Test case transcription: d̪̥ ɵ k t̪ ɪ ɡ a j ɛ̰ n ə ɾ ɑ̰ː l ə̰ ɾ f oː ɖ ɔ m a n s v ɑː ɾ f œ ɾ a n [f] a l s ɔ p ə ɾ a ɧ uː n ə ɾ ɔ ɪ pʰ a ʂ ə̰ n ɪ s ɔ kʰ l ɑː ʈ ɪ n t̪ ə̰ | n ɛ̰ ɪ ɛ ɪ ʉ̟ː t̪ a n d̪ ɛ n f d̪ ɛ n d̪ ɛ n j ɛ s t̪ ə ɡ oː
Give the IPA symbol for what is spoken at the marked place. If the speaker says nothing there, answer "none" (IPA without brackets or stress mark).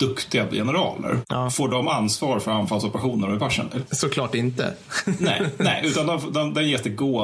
f